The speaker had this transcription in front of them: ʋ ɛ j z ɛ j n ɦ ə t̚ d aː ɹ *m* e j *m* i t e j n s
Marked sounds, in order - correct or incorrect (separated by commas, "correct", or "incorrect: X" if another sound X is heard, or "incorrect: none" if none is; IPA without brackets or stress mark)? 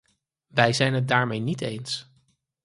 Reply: correct, incorrect: n